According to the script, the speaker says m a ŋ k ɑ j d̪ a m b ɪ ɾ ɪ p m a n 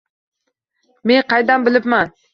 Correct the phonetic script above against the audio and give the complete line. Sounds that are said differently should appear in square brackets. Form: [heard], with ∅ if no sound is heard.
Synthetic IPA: m [e] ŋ [q] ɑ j d̪ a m b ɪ [l] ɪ p m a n